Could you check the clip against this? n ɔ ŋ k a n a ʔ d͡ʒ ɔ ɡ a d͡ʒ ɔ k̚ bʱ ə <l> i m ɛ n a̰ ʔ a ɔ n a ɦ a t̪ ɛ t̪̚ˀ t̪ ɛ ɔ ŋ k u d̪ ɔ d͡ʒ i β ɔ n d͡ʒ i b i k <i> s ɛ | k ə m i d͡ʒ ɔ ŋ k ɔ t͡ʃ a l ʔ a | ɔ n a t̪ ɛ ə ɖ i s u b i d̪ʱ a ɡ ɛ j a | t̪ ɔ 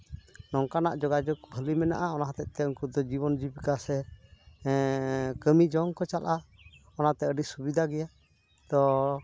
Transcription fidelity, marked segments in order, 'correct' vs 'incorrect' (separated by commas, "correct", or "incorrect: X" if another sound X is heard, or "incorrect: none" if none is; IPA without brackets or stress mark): correct, incorrect: a